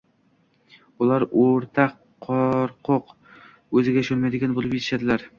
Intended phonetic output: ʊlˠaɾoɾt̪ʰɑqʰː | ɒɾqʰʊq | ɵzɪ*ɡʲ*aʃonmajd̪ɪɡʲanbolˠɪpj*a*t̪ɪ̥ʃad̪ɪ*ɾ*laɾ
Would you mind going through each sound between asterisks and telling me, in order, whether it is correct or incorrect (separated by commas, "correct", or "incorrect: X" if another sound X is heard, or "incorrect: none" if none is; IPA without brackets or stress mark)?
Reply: correct, incorrect: e, incorrect: none